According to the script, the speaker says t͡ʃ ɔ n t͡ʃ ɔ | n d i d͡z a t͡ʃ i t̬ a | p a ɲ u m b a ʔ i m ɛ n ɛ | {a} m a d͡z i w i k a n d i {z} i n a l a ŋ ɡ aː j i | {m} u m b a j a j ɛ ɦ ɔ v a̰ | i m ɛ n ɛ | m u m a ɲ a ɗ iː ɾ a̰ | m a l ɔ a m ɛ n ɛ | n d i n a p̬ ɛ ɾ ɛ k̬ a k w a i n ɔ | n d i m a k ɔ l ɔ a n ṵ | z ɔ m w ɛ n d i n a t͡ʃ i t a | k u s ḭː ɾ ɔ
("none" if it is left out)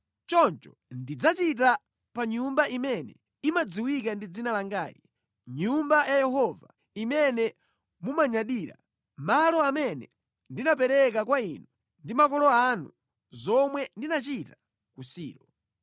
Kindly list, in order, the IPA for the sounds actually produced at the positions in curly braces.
i, d͡z, ɲ

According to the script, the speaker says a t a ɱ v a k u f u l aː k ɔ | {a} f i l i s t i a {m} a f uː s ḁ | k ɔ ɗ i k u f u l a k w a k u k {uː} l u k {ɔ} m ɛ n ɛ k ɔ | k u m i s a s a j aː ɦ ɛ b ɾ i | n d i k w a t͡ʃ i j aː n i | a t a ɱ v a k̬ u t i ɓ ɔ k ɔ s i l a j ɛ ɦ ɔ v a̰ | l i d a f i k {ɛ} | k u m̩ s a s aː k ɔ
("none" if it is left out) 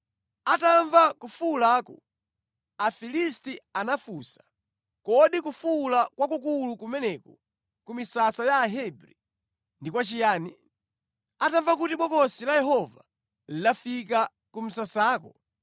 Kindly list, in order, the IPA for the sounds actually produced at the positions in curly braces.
a, n, u, u, a

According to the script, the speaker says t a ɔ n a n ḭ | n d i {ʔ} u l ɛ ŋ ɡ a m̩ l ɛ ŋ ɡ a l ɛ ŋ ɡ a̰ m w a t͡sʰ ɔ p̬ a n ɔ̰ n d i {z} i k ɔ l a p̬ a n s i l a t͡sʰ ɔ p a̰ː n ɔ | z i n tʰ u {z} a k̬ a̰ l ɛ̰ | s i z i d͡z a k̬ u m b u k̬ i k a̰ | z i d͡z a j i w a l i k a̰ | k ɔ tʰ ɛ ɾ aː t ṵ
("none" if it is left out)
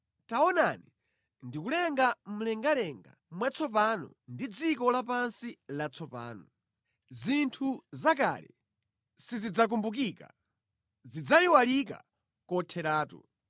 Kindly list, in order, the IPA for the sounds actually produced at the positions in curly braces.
k, d͡z, z

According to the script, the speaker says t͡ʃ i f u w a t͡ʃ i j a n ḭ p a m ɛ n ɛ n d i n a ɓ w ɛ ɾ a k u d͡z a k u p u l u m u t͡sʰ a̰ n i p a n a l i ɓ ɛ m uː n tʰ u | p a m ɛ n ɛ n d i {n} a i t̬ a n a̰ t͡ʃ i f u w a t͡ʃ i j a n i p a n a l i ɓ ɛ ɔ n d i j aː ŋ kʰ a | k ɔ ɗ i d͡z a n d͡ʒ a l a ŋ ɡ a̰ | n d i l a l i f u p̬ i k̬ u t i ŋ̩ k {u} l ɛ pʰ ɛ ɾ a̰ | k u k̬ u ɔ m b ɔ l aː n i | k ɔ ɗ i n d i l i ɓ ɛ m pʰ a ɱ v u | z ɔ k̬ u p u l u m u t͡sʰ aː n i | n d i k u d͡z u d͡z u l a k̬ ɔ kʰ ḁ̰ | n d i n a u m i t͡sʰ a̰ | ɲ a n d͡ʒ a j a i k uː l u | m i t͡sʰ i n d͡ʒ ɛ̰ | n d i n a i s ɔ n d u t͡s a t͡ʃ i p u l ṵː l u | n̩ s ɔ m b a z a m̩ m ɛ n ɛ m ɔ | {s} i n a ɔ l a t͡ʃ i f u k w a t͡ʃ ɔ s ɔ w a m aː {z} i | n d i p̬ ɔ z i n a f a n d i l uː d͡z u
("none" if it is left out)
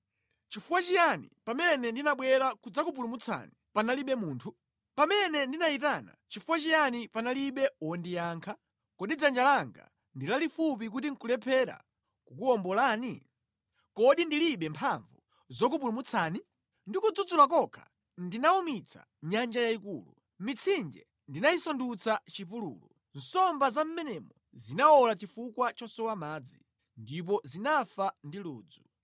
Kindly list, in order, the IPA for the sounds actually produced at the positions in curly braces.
n, u, z, d͡z

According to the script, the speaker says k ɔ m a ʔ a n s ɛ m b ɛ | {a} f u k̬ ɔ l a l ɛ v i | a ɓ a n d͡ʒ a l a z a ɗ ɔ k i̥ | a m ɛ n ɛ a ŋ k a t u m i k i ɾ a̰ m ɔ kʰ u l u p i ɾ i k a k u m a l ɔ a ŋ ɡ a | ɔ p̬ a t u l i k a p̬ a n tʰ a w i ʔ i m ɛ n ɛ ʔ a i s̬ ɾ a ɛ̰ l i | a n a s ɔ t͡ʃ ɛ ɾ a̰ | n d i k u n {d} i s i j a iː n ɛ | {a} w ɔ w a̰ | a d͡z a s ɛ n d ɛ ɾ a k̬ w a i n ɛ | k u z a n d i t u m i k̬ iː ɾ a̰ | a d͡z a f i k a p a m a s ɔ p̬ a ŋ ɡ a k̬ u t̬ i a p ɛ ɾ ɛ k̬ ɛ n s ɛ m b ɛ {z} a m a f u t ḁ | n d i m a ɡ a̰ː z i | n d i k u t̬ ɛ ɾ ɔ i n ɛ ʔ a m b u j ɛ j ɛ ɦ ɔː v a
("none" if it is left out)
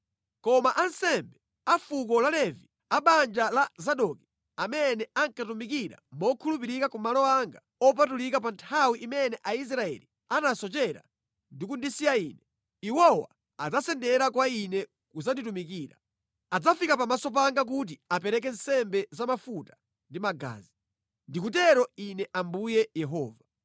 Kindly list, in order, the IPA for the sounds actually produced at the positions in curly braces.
a, d, i, z

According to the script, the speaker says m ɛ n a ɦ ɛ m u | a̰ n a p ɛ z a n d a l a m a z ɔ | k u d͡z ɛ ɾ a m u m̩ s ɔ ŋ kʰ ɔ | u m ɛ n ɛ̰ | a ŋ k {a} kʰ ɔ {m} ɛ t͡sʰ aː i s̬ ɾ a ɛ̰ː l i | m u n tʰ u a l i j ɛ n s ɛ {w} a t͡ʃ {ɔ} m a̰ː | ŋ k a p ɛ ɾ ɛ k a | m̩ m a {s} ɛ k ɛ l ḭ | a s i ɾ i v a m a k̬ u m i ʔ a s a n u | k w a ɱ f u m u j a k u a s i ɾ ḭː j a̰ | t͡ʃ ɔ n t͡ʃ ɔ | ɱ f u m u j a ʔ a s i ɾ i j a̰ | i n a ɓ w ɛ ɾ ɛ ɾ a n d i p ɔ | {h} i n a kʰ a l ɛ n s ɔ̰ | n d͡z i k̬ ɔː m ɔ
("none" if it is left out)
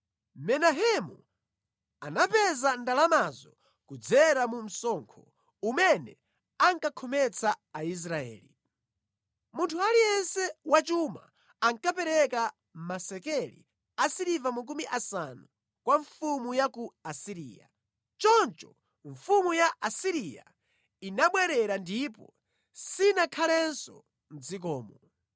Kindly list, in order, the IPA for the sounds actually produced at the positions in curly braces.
a, m, w, u, s, s

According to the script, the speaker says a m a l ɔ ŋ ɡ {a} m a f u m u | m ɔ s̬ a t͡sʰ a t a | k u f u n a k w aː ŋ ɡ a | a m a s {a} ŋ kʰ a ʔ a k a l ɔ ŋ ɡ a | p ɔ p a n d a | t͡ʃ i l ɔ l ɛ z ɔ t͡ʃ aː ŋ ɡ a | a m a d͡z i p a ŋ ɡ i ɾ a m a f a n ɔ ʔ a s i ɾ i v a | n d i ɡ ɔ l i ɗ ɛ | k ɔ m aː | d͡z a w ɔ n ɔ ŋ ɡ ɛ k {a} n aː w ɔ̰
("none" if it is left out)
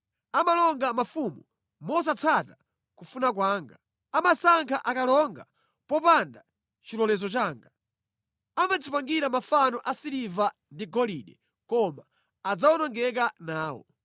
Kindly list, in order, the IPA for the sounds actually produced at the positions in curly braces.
a, a, a

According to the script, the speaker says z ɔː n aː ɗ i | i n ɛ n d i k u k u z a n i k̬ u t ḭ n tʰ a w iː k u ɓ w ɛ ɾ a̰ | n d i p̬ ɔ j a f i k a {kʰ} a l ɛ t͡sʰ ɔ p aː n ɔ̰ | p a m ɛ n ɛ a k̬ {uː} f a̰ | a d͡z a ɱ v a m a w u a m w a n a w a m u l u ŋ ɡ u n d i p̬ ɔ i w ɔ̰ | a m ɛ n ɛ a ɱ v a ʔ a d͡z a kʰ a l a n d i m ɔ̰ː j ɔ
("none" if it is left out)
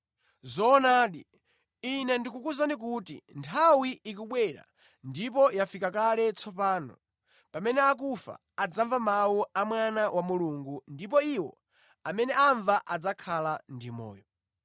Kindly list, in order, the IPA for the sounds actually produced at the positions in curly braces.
k, u

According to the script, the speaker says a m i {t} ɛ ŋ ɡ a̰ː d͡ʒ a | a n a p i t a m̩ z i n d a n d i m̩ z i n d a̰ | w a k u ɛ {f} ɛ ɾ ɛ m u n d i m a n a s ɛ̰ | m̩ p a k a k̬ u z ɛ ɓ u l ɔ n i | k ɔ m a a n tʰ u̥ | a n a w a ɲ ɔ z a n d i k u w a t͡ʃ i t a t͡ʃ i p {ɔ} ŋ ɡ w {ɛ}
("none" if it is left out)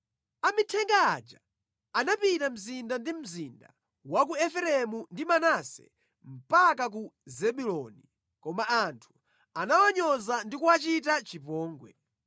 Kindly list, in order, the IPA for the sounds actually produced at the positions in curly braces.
tʰ, f, ɔː, ɛ

